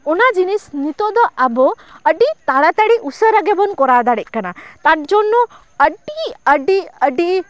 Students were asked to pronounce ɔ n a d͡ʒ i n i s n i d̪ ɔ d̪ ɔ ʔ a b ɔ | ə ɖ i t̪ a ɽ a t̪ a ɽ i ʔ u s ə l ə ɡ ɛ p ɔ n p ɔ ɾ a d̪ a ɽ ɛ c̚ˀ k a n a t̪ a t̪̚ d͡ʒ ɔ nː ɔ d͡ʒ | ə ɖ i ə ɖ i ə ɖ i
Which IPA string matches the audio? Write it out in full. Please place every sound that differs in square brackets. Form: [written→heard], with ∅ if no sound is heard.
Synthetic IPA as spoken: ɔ n a d͡ʒ i n i s n i [d̪→t̪] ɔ d̪ ɔ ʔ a b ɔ | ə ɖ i t̪ a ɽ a t̪ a ɽ i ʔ u s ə [l→ɾ] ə ɡ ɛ [p→b] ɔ n [p→k] ɔ ɾ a d̪ a ɽ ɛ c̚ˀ k a n a t̪ a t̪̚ d͡ʒ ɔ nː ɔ [d͡ʒ→∅] | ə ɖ i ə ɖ i ə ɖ i